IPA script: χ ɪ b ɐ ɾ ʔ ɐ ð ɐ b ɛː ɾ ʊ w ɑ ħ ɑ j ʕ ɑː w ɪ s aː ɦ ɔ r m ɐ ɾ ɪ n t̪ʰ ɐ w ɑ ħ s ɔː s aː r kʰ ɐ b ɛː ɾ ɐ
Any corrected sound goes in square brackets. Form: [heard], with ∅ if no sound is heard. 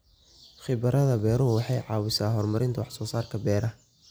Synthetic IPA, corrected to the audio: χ ɪ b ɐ ɾ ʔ ɐ ð ɐ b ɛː ɾ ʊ w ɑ ħ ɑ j ʕ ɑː w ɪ s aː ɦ ɔ r m ɐ ɾ ɪ n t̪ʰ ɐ w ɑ ħ s ɔː s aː r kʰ ɐ b ɛː ɾ ɐ